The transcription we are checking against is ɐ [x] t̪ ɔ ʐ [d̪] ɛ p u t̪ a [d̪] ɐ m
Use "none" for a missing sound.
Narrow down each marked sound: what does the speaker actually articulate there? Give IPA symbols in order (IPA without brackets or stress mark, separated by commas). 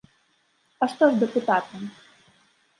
ʂ, d̪, t̪